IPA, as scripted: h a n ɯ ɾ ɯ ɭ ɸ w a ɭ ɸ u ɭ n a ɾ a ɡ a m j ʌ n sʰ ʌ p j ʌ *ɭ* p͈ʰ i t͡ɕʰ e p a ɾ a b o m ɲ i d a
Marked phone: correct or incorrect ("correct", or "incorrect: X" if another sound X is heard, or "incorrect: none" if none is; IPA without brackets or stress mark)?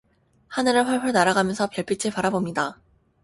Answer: correct